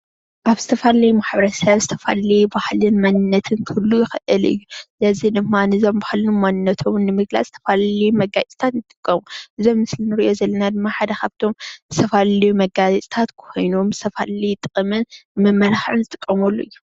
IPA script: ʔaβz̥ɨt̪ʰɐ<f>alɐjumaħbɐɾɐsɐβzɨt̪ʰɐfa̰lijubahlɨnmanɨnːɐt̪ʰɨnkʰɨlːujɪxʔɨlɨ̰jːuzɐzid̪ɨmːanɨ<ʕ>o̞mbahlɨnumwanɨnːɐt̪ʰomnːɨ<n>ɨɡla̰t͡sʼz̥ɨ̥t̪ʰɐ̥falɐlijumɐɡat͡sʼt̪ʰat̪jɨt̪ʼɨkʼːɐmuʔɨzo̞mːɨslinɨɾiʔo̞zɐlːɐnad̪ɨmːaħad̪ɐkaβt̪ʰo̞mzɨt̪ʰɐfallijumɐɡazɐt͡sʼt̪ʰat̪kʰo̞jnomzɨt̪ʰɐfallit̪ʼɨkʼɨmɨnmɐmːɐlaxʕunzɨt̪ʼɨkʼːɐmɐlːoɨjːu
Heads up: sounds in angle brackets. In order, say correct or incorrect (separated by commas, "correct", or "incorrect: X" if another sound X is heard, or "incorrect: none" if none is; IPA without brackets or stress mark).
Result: correct, incorrect: z, incorrect: m